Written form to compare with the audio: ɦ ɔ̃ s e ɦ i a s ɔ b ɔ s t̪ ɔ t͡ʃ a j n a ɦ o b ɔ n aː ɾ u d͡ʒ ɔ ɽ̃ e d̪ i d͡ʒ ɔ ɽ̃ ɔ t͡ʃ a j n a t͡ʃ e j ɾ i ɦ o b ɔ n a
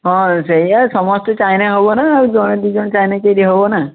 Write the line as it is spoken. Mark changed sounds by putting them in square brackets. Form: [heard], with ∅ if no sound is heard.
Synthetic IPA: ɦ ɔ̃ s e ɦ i a s ɔ [m] ɔ s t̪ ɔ t͡ʃ a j n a ɦ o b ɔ n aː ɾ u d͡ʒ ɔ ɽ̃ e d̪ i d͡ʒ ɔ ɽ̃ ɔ t͡ʃ a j n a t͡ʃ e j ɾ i ɦ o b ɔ n a